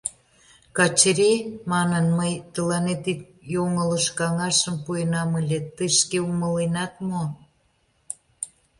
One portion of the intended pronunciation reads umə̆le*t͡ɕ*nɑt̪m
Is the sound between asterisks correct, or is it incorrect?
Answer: incorrect